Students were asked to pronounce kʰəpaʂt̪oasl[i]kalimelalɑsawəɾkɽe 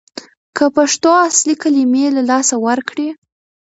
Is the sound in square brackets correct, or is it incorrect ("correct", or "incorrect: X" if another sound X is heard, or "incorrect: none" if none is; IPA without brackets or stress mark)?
correct